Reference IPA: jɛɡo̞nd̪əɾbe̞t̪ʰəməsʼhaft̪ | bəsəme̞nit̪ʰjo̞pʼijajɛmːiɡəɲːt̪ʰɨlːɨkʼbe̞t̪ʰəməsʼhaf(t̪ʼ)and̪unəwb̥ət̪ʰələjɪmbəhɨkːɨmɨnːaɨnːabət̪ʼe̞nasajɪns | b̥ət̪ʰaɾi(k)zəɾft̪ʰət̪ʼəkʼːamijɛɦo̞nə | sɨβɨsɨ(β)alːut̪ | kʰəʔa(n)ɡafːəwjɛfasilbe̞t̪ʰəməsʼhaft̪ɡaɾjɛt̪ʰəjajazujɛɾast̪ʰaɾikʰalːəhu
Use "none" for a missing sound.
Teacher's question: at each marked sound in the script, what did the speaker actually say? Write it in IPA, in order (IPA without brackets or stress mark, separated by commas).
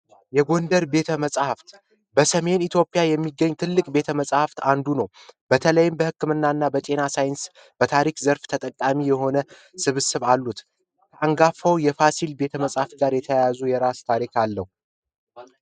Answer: t̪, k, β, ŋ